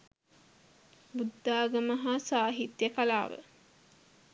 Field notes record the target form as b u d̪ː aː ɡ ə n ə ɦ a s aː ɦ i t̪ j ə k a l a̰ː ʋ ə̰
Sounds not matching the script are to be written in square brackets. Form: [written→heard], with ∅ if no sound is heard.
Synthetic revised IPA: b u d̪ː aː ɡ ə [n→m] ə ɦ a s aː ɦ i t̪ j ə k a l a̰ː ʋ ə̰